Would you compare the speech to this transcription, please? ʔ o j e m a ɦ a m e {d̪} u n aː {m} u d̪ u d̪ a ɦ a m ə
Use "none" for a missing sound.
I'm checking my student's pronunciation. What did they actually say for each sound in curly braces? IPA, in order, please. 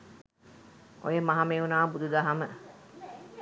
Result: none, b

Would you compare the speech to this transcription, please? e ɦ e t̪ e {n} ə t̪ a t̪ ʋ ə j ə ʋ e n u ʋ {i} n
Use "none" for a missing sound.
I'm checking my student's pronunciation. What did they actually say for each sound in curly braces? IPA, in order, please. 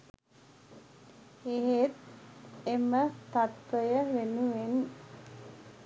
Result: m, e

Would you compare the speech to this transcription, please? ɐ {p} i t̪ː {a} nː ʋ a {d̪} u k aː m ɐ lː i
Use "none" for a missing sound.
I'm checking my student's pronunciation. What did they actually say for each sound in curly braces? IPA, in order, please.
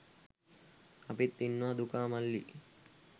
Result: p, i, d̪

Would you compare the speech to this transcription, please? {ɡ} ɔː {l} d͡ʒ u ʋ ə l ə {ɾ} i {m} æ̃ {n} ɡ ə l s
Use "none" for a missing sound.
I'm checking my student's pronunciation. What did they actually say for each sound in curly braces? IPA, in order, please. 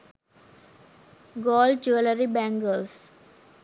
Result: ɡ, l, ɾ, b, ŋ

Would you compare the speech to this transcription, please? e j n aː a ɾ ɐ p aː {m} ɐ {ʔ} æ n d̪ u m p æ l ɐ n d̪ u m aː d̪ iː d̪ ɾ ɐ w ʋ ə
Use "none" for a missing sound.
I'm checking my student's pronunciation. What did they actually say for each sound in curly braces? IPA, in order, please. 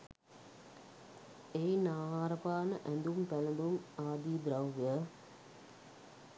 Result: n, ʔ

